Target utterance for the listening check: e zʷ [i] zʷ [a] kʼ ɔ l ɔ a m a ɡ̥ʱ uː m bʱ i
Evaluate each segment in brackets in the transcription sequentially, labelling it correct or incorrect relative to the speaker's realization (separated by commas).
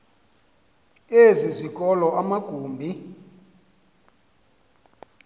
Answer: correct, incorrect